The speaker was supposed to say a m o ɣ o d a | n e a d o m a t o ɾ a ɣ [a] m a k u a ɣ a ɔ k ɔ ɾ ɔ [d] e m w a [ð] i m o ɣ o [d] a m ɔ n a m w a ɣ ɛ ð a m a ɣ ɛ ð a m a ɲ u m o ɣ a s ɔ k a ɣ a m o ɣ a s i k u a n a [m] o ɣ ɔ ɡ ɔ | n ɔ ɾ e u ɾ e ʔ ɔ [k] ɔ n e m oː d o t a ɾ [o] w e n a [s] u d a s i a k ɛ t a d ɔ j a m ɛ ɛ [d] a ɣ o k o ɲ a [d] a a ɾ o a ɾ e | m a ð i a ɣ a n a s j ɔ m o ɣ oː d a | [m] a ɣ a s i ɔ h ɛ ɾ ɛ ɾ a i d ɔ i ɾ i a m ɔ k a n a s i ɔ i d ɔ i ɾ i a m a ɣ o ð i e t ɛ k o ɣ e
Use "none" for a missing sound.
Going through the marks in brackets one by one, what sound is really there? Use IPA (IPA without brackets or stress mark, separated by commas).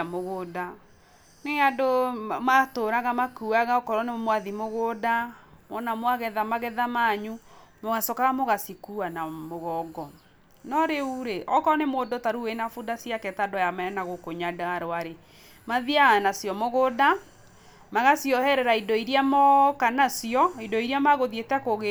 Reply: a, n, ð, d, m, k, u, f, n, d, m